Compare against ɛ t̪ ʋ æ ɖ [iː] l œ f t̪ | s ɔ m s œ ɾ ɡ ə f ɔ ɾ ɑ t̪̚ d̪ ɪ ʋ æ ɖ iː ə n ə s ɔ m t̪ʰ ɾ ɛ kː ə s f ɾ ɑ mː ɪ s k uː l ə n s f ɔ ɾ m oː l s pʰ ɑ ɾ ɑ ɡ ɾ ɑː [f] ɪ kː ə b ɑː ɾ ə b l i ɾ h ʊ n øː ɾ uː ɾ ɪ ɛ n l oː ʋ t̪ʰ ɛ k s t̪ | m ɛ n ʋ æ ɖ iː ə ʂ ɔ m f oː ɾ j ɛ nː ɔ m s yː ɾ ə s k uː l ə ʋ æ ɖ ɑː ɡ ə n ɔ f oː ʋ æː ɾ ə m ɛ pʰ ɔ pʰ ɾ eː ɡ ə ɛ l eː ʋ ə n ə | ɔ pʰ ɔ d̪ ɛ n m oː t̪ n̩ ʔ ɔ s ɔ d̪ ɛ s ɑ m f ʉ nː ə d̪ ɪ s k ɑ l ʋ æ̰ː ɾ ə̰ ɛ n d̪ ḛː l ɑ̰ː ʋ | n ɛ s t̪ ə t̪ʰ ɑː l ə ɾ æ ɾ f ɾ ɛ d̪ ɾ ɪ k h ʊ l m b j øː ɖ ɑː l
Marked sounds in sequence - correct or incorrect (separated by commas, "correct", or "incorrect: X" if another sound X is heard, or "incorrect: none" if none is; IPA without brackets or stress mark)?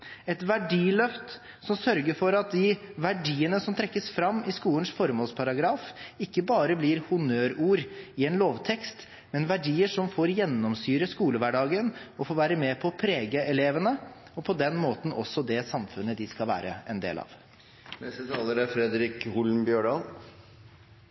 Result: correct, correct